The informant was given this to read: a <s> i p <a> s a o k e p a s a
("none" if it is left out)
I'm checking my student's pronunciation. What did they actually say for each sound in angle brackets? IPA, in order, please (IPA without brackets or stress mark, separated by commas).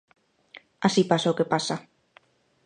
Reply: s, a